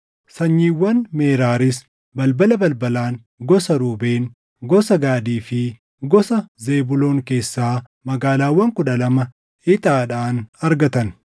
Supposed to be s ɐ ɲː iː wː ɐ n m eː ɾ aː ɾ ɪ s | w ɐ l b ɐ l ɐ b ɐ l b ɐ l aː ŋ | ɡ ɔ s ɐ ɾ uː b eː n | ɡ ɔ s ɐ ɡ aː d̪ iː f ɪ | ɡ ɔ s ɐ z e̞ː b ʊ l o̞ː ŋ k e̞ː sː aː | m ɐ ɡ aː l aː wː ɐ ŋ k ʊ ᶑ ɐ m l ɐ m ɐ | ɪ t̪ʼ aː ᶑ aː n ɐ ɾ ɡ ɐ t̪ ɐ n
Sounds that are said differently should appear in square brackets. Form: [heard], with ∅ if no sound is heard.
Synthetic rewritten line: s ɐ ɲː iː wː ɐ n m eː ɾ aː ɾ ɪ s | [b] ɐ l b ɐ l ɐ b ɐ l b ɐ l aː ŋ | ɡ ɔ s ɐ ɾ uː b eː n | ɡ ɔ s ɐ ɡ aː d̪ iː f ɪ | ɡ ɔ s ɐ z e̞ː b ʊ l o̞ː ŋ k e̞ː sː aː | m ɐ ɡ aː l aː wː ɐ ŋ k ʊ ᶑ ɐ [∅] l ɐ m ɐ | ɪ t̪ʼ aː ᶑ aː n ɐ ɾ ɡ ɐ t̪ ɐ n